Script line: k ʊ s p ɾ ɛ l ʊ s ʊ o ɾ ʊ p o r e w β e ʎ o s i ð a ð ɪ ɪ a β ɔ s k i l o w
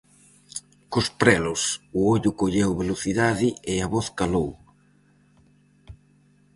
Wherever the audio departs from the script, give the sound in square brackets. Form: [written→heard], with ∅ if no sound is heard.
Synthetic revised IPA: k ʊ s p ɾ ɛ l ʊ s ʊ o [ɾ→ʎ] ʊ [p→k] o [r→ʎ] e w β e [ʎ→l] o [s→θ] i ð a ð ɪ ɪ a β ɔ [s→θ] k [i→a] l o w